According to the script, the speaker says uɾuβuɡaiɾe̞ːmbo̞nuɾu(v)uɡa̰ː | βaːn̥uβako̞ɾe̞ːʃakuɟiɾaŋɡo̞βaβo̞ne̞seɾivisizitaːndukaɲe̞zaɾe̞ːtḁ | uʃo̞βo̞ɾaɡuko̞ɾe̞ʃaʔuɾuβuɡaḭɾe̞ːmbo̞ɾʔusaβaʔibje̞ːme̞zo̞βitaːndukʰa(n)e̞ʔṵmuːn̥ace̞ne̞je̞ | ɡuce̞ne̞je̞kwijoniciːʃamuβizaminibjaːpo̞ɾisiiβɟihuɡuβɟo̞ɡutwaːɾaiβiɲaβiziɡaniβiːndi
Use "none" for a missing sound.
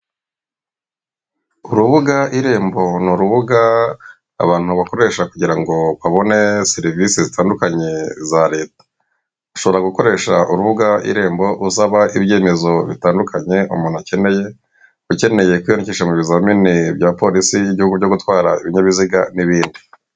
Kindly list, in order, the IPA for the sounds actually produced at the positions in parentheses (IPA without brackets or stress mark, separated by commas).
β, ɲ